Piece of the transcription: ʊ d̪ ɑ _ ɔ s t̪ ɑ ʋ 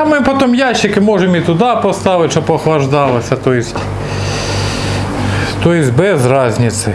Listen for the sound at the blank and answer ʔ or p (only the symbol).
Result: p